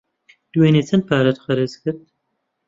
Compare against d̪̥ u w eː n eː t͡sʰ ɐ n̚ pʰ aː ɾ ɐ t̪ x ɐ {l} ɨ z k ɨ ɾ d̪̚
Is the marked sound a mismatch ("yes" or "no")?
yes